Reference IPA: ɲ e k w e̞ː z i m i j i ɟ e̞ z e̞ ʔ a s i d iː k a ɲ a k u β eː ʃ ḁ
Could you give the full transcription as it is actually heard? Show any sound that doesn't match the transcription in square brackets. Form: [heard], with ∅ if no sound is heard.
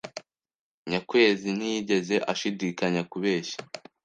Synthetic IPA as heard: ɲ [a] k w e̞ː z i [n] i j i ɟ e̞ z e̞ ʔ a [ʃ] i d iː k a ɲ a k u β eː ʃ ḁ